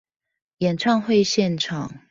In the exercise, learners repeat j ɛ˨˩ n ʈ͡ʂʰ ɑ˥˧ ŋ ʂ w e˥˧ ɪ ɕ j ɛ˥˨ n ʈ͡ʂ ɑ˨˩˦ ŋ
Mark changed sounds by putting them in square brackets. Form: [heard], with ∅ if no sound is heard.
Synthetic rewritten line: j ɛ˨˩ n ʈ͡ʂʰ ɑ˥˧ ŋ [x] w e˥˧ ɪ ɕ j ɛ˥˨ n [ʈ͡ʂʰ] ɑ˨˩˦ ŋ